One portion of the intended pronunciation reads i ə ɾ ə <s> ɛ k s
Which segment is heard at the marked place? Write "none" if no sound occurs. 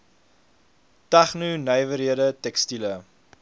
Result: t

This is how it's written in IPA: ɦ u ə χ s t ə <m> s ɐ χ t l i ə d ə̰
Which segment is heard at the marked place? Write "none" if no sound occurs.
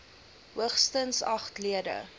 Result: n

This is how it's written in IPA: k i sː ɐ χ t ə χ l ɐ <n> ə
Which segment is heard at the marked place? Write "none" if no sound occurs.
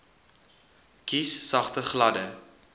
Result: d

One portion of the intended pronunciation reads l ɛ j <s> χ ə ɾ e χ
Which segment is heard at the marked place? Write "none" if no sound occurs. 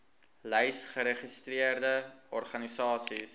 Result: s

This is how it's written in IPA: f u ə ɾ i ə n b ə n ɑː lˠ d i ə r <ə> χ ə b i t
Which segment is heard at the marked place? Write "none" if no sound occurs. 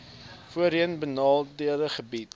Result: ə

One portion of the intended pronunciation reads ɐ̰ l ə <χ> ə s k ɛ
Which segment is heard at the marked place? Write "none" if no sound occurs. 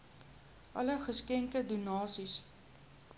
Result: χ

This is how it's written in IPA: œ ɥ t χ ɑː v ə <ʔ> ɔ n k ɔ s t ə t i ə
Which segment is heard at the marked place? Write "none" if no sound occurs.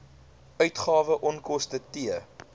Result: ʔ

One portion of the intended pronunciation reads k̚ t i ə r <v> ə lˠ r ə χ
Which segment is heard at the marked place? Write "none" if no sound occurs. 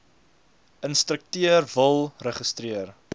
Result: v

